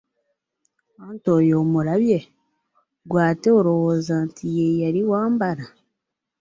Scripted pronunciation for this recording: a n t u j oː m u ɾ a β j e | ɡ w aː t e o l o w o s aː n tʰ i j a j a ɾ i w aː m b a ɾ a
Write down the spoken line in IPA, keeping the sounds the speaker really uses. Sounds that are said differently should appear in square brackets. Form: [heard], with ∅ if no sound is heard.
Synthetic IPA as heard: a n t [o] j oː m u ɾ a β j e | ɡ w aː t e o [ɾ] o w o [z] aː n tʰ i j [e] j a ɾ i w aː m b a ɾ a